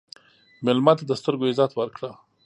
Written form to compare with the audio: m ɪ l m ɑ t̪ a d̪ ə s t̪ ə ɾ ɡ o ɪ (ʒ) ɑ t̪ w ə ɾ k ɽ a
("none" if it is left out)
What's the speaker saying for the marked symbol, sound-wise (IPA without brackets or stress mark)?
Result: z